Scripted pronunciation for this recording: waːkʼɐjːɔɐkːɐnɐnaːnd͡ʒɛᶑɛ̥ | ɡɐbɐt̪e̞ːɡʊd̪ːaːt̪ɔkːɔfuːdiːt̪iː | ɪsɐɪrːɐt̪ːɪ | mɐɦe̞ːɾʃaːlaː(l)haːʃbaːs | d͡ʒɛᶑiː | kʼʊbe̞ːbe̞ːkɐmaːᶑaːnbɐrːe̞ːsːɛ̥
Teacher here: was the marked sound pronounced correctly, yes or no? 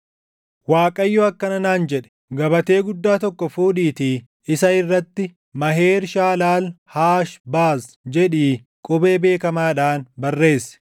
yes